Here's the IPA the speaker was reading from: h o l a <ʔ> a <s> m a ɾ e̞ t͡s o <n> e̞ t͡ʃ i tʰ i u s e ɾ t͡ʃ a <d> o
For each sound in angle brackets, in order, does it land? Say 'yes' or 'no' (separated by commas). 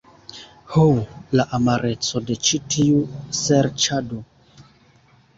yes, no, no, yes